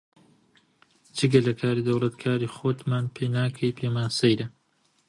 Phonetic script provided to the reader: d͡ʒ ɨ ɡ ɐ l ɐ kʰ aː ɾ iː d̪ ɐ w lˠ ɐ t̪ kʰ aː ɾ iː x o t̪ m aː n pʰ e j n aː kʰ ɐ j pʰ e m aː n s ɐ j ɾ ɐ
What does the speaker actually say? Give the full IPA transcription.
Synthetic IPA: d͡ʒ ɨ ɡ ɐ l ɐ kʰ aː ɾ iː d̪ ɐ w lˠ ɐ t̪ kʰ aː ɾ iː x o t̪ m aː n pʰ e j n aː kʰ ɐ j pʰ e m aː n s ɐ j ɾ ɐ